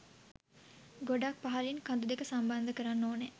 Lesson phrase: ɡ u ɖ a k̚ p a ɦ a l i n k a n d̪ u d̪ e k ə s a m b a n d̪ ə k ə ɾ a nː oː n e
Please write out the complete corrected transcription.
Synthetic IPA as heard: ɡ o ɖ a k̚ p a ɦ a l i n k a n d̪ u d̪ e k ə s a m b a n d̪ ə k ə ɾ a nː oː n e